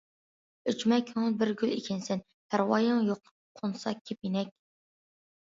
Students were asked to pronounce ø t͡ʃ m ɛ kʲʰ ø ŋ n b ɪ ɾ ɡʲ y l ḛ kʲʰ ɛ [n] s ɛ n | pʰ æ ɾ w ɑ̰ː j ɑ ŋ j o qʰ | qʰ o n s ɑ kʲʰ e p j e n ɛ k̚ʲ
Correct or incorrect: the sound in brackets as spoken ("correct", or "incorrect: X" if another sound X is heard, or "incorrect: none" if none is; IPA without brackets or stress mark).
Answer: correct